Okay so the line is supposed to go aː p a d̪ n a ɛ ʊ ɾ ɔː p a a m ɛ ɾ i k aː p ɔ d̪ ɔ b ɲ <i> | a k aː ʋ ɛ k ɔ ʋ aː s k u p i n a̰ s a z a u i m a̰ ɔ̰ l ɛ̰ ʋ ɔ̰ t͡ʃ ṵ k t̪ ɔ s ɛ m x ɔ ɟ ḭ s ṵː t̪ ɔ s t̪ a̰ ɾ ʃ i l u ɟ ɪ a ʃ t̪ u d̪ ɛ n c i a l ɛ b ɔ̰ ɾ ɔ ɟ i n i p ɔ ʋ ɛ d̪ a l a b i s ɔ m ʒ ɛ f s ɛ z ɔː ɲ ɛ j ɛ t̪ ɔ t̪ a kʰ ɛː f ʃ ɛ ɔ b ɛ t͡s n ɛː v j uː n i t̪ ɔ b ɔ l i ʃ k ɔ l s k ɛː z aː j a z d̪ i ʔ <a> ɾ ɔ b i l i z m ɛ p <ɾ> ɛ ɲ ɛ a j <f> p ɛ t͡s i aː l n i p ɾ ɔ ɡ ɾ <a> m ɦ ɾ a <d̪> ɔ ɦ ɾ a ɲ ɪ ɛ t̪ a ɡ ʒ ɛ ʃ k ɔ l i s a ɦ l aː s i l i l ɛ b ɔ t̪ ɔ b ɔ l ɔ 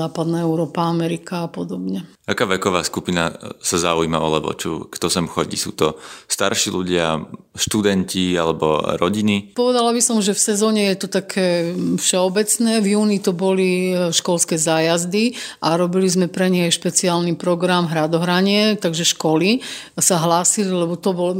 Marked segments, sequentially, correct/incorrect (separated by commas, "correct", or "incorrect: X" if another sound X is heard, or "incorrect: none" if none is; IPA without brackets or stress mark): incorrect: ɛ, correct, correct, incorrect: ʃ, correct, correct